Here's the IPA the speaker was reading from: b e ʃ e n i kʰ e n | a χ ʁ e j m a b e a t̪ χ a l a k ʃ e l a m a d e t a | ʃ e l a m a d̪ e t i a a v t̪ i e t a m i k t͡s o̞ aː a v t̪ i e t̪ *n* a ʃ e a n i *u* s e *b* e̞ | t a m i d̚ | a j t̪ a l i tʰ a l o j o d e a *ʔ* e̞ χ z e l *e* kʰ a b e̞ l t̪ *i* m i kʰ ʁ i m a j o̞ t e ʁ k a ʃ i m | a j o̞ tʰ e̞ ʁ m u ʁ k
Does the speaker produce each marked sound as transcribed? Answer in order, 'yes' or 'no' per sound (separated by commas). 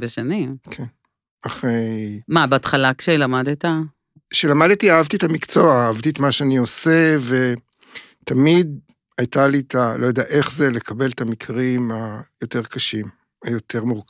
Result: no, no, no, yes, yes, no